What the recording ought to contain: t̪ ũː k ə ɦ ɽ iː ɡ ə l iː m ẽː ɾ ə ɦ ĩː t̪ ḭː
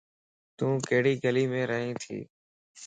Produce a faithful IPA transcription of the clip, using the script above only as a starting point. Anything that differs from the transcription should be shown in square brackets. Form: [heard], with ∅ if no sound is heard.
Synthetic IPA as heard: t̪ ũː k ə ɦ ɽ iː ɡ ə l iː m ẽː ɾ ə ɦ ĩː [t̪ʰ] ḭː